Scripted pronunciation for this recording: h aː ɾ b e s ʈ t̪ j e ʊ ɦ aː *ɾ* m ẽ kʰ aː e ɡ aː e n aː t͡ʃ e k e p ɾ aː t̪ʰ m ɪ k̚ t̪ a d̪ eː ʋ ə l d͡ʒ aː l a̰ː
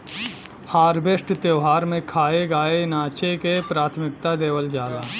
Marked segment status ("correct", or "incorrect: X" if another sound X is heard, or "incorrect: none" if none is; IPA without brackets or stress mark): correct